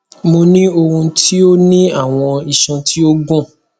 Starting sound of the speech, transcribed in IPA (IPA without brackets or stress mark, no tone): m